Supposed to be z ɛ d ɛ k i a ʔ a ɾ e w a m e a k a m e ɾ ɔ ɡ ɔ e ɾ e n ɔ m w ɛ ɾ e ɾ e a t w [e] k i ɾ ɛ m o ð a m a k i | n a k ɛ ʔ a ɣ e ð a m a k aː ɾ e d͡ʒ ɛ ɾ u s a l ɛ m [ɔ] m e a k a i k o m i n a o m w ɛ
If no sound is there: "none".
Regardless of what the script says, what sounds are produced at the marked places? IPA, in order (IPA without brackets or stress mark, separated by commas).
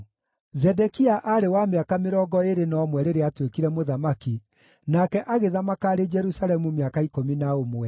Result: e, u